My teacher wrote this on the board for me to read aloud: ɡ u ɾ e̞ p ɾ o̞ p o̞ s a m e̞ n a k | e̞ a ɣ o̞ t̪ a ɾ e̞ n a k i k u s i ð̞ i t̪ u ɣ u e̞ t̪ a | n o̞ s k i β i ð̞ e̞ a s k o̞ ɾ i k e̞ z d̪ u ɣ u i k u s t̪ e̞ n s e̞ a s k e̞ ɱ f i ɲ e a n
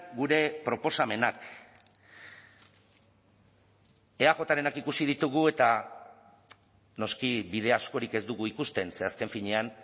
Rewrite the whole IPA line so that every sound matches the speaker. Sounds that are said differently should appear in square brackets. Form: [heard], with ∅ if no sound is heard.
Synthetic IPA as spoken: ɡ u ɾ e̞ p ɾ o̞ p o̞ s a m e̞ n a k | e̞ a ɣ o̞ t̪ a ɾ e̞ n a k i k u s i ð̞ i t̪ u ɣ u e̞ t̪ a | n o̞ s k i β i ð̞ e̞ a s k o̞ ɾ i k e̞ z d̪ u ɣ u i k u s t̪ e̞ n s e̞ a s k e̞ ɱ f i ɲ e a n